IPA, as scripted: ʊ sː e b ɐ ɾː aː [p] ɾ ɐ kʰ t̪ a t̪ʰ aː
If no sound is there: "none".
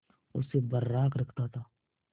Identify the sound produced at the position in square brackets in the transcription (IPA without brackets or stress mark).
k